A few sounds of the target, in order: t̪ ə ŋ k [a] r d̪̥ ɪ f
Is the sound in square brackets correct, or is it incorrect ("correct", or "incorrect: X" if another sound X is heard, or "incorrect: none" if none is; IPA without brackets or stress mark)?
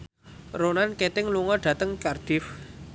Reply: correct